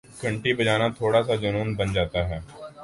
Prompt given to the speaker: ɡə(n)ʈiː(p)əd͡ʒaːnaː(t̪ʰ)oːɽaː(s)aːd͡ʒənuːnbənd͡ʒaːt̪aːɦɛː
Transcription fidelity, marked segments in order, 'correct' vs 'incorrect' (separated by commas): incorrect, incorrect, correct, correct